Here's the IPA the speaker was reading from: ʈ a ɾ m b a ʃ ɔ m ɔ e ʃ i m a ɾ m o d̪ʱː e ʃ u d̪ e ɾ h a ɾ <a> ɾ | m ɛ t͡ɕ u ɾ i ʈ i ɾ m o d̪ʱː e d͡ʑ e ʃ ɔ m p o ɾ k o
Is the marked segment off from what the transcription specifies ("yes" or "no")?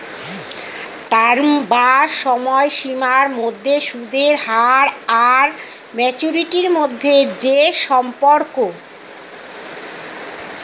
no